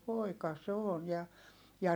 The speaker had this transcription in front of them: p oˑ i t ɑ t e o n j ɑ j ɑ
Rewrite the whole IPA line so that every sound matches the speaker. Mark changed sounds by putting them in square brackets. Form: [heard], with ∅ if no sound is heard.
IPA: p oˑ i [k] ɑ [s] e o n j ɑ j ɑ